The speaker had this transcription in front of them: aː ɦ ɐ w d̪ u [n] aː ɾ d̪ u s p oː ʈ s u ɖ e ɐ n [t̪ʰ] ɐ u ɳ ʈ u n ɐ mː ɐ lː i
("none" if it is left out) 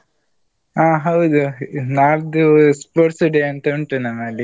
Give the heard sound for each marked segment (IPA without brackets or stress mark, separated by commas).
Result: n, t̪